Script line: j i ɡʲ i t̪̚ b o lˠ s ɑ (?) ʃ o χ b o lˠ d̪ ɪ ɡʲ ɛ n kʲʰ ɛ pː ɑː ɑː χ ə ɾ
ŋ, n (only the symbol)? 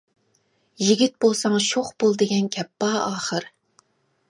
ŋ